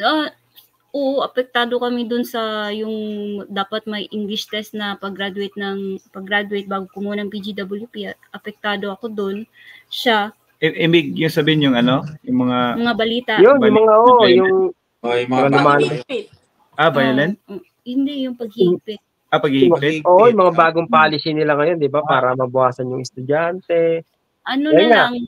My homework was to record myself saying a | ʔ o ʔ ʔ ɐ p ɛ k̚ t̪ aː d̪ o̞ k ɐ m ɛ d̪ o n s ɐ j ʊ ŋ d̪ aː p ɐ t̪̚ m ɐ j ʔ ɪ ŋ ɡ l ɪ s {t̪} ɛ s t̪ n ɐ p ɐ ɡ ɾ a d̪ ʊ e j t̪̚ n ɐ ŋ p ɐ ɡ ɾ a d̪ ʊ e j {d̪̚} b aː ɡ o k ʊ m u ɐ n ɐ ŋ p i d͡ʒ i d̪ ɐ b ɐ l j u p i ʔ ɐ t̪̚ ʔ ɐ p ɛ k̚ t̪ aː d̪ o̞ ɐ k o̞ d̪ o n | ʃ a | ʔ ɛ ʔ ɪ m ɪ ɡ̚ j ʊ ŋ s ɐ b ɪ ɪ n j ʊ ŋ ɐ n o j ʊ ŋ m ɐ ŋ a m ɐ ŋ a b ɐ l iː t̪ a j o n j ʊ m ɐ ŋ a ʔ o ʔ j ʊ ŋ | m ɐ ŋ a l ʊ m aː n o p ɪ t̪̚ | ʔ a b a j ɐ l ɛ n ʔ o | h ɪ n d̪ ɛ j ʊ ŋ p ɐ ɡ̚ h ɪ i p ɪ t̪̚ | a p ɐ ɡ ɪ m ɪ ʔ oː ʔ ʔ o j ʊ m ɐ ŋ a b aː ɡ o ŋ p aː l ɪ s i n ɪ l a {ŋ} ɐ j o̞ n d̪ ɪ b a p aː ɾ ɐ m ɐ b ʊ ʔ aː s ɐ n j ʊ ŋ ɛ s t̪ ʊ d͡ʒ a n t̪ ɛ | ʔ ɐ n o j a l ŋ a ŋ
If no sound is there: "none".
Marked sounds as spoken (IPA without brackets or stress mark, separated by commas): t̪, t̪̚, ŋ